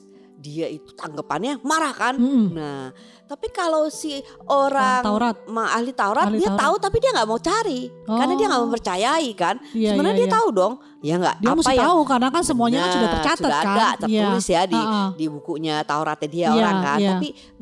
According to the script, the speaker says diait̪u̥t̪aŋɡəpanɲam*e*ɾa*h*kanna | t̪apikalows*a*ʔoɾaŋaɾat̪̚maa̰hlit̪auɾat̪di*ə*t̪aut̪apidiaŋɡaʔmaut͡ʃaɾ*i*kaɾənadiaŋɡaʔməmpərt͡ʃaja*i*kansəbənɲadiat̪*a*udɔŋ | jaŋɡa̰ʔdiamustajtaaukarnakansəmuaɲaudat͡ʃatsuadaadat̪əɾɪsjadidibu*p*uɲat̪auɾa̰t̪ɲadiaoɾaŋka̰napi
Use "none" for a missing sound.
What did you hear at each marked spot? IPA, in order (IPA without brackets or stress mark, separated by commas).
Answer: a, h, i, a, i, i, a, k